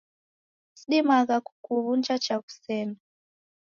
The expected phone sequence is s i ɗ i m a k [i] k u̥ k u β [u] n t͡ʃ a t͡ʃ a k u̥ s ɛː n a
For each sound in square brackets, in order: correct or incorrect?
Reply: incorrect: a, correct

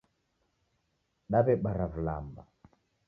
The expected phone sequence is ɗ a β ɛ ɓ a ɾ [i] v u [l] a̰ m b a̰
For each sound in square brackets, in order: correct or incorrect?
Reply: incorrect: a, correct

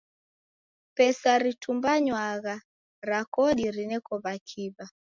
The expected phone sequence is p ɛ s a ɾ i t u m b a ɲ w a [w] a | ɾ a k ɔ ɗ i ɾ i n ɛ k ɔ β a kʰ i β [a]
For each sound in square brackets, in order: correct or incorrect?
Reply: incorrect: ɣ, correct

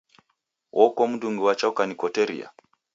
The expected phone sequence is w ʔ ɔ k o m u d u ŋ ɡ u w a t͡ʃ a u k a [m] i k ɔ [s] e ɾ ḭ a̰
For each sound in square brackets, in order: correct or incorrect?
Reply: incorrect: n, incorrect: t

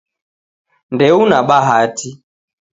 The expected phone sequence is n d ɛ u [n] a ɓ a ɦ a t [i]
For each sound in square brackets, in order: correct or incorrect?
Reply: correct, correct

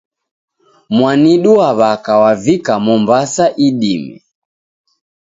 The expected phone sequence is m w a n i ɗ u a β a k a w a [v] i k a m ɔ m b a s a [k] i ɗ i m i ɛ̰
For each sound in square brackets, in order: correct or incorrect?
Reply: correct, incorrect: ʔ

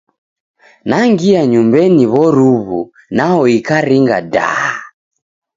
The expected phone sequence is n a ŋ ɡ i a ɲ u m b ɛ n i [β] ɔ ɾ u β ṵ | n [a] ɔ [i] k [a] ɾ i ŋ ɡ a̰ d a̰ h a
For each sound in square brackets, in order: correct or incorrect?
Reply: correct, correct, correct, correct

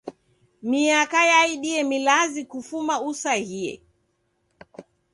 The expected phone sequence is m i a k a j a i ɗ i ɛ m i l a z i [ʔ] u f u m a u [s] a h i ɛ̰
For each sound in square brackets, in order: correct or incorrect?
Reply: incorrect: k, correct

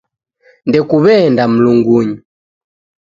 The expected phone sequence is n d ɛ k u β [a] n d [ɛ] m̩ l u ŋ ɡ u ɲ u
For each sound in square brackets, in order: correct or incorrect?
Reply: incorrect: ɛ, incorrect: a

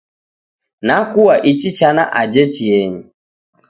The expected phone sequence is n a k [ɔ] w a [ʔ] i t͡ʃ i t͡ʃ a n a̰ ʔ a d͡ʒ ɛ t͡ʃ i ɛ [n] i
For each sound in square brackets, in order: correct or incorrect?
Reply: incorrect: u, correct, incorrect: ɲ

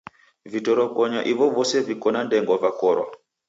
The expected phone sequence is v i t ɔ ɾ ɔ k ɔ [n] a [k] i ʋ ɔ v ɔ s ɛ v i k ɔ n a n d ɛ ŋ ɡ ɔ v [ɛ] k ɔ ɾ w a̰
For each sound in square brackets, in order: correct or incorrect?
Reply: incorrect: ɲ, incorrect: ʔ, incorrect: a

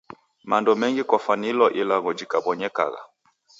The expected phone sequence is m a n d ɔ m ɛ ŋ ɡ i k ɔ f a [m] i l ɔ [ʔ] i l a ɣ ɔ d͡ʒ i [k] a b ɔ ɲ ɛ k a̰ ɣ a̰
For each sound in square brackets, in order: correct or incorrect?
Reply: incorrect: n, correct, correct

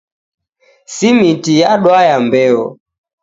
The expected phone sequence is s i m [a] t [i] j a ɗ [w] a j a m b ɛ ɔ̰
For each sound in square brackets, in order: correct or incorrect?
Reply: incorrect: i, correct, correct

